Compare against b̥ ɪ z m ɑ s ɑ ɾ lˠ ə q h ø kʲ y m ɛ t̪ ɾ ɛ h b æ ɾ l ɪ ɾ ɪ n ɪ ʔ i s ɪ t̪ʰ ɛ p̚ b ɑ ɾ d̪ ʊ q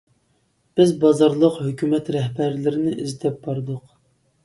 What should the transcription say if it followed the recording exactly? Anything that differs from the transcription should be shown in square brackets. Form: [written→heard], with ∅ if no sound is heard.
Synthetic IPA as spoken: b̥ ɪ z [m→b] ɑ [s→z] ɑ ɾ lˠ ə q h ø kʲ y m ɛ t̪ ɾ ɛ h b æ ɾ l ɪ ɾ ɪ n ɪ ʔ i [s→z] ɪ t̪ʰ ɛ p̚ b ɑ ɾ d̪ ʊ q